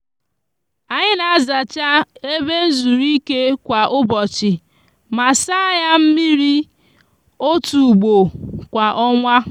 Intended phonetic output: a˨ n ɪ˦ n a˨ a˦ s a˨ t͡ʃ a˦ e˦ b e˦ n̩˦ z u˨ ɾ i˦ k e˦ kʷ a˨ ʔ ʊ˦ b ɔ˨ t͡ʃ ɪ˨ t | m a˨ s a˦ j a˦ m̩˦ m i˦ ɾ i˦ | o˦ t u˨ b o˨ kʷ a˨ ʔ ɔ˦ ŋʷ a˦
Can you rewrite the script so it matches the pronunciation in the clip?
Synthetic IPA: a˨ ɲ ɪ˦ n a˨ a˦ z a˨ t͡ʃ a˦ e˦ b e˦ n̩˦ z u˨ ɾ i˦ k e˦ kʷ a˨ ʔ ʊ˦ b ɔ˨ t͡ʃ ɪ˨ | m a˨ s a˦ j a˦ m̩˦ m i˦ ɾ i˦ | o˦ t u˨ ɡ͡b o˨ kʷ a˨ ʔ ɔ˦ ŋʷ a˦